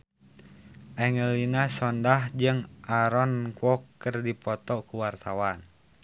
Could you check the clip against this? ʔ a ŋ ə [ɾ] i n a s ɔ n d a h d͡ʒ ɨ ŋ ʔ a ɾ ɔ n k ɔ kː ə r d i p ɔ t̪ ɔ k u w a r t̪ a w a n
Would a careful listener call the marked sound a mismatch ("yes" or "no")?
yes